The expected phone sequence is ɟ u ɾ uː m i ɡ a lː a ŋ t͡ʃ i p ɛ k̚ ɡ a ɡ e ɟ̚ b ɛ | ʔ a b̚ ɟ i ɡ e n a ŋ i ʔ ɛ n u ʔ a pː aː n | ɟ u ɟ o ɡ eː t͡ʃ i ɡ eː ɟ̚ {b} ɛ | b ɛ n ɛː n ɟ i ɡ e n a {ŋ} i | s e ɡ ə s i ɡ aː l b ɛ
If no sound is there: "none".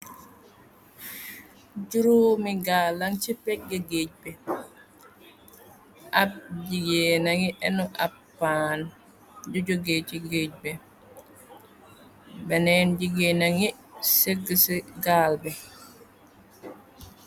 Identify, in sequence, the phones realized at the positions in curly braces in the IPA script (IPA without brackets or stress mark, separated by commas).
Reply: b, ŋ